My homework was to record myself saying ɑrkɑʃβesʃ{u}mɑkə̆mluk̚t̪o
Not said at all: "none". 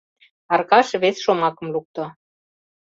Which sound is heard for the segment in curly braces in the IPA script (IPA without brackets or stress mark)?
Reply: o